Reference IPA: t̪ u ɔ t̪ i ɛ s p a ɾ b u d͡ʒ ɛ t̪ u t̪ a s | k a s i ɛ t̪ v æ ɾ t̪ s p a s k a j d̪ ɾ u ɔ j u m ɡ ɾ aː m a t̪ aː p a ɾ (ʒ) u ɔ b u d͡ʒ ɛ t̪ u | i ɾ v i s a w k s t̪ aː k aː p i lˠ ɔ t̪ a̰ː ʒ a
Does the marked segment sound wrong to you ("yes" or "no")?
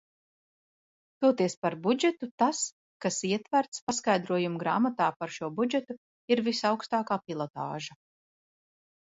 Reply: yes